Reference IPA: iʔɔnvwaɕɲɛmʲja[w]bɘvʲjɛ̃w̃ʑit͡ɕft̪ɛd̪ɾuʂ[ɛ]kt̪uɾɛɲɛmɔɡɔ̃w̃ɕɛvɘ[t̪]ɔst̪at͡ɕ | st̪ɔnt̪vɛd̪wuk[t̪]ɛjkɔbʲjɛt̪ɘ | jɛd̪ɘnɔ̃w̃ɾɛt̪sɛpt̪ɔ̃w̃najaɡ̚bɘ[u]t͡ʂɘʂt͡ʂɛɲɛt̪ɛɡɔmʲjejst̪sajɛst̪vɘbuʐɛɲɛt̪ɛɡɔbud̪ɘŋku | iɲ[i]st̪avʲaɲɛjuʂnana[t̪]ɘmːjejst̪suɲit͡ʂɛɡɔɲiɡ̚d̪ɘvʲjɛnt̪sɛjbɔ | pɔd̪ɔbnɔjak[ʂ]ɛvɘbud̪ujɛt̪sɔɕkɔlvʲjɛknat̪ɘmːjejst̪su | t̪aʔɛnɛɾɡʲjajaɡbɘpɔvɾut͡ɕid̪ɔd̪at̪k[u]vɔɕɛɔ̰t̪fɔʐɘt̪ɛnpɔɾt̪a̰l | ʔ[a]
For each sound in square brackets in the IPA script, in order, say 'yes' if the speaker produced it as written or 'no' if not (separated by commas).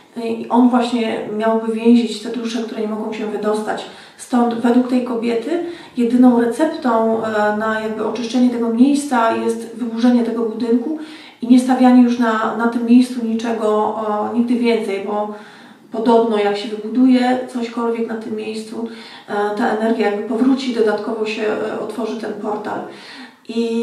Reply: yes, yes, no, yes, no, no, yes, no, no, no